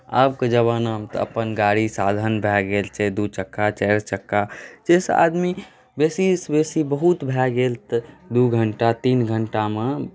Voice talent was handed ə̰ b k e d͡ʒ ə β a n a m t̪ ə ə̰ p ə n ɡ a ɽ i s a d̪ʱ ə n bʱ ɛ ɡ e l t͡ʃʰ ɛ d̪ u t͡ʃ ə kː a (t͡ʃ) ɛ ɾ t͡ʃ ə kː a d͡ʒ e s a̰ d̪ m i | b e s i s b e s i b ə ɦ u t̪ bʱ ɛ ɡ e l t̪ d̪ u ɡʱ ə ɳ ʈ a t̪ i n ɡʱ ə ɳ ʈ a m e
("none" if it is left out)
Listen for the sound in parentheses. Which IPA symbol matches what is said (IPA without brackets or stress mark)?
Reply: t͡ʃ